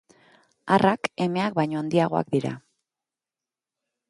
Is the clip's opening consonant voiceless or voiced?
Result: voiced